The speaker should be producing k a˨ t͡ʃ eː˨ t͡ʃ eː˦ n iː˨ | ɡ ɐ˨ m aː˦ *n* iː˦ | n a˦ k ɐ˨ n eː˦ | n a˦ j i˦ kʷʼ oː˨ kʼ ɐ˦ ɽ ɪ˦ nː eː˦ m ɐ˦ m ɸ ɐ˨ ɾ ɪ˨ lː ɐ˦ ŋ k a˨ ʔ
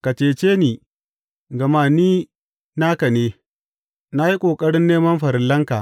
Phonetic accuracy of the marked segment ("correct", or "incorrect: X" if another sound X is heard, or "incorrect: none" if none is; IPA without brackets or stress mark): correct